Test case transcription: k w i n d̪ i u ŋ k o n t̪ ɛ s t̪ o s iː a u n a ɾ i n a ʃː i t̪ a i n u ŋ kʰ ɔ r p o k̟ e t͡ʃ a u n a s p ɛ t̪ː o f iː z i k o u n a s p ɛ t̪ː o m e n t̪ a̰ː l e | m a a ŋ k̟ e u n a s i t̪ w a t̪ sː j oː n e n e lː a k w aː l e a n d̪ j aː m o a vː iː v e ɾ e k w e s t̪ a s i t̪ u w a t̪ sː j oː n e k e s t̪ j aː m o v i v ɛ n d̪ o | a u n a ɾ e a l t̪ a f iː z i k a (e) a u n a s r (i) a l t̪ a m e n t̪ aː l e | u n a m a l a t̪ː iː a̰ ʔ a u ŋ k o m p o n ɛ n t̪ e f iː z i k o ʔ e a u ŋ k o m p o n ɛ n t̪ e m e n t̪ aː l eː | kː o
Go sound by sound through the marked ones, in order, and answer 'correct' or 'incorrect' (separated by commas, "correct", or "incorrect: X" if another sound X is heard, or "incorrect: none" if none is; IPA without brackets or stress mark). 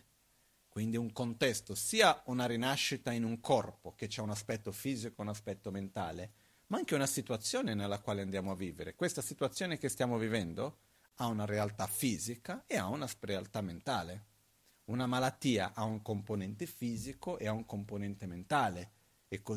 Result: correct, incorrect: e